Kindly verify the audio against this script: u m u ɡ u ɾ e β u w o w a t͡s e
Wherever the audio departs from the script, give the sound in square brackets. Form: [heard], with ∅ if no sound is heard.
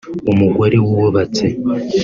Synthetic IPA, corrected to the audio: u m u ɡ [o] ɾ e [w] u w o [β] a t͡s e